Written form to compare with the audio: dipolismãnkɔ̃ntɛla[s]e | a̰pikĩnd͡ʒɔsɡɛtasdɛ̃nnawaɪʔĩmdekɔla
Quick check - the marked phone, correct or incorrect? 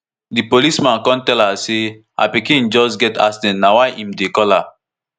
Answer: correct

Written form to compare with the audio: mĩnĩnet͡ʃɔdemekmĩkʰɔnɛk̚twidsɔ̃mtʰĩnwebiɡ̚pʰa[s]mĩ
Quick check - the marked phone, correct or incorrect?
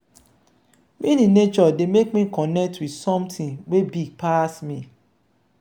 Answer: correct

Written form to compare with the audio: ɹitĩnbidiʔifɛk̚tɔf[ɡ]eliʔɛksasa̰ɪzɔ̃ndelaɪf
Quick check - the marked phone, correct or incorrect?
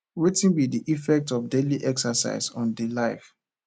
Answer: incorrect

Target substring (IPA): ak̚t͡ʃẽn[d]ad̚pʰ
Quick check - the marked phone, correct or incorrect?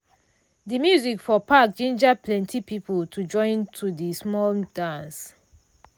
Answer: incorrect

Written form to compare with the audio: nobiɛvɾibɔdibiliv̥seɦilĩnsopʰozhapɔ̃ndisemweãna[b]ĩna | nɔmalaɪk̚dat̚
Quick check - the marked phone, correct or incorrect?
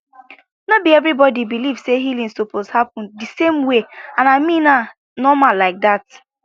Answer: incorrect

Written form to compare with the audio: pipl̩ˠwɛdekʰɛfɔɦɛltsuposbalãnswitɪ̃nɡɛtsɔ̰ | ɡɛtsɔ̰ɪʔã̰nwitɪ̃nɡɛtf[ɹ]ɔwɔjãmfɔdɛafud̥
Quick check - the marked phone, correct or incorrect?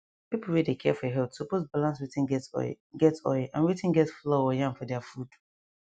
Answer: incorrect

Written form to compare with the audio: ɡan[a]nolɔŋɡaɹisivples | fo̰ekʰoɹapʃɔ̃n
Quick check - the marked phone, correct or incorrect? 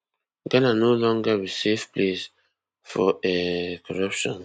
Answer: correct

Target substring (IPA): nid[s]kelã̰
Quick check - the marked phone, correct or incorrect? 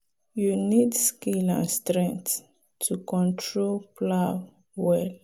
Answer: correct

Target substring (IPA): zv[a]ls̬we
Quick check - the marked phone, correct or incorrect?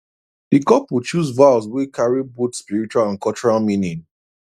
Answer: correct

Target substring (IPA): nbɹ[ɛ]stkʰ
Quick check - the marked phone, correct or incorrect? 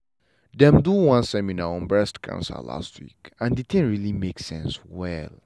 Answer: correct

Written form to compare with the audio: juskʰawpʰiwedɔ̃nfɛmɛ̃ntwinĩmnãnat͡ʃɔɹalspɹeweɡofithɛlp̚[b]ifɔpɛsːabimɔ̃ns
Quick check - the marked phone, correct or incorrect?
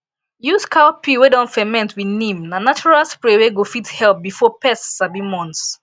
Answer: correct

